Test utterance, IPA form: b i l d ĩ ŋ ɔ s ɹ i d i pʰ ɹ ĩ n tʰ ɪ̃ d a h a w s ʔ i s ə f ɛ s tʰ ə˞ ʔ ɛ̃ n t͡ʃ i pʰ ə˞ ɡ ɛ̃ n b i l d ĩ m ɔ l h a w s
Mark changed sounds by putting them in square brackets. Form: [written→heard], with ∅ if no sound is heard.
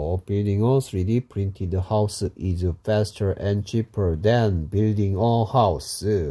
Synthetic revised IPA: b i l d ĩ ŋ ɔ s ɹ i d i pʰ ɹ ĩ n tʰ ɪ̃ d [a→ə] h a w s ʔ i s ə f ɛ s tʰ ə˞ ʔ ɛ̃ n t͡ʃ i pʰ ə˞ [ɡ→d] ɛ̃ n b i l d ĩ [m→ŋ] ɔ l h a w s